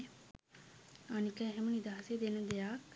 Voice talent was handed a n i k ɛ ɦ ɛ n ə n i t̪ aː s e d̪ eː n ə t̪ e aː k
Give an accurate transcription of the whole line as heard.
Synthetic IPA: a n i k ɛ ɦ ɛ m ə n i d̪ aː s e d̪ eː n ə d̪ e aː k